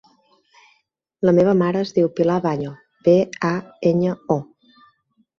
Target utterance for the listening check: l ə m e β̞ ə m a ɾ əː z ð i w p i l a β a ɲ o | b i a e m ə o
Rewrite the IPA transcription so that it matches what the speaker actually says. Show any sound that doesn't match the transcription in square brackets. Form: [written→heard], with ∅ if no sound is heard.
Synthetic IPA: l ə m e β̞ ə m a ɾ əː z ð i w p i l a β a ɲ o | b [i→e] a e [m→ɲ] ə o